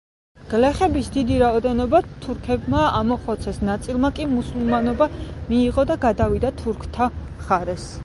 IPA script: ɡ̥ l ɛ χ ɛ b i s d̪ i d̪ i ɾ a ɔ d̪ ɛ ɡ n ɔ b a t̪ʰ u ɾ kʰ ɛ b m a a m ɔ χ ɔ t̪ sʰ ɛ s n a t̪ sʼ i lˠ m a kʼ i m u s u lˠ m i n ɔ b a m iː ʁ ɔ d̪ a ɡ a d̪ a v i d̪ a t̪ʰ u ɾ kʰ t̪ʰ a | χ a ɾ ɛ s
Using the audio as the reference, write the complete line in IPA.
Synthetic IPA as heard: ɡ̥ l ɛ χ ɛ b i s d̪ i d̪ i ɾ a ɔ d̪ ɛ n ɔ b a t̪ʰ u ɾ kʰ ɛ b m a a m ɔ χ ɔ t̪ sʰ ɛ s n a t̪ sʼ i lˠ m a kʼ i m u s u lˠ m a n ɔ b a m iː ʁ ɔ d̪ a ɡ a d̪ a v i d̪ a t̪ʰ u ɾ kʰ t̪ʰ a | χ a ɾ ɛ s

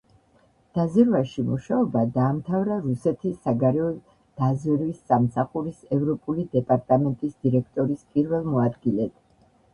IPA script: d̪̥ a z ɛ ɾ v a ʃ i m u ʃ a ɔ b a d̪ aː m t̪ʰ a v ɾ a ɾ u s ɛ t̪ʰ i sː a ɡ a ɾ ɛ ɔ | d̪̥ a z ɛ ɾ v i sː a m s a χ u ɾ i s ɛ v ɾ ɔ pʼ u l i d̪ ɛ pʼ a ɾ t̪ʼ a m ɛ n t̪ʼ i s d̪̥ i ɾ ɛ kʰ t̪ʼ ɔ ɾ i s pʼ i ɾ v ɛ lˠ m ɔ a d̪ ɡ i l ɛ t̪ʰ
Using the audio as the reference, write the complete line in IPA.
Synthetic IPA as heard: d̪̥ a z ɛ ɾ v a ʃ i m u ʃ a ɔ b a d̪ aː m t̪ʰ a v ɾ a ɾ u s ɛ t̪ʰ i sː a ɡ a ɾ ɛ ɔ | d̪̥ a z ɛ ɾ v i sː a m s a χ u ɾ i s ɛ v ɾ ɔ pʼ u l i d̪ ɛ pʼ a ɾ t̪ʼ a m ɛ n t̪ʼ i s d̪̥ i ɾ ɛ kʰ t̪ʼ ɔ ɾ i s pʼ i ɾ v ɛ lˠ m ɔ a d̪ ɡ i l ɛ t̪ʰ

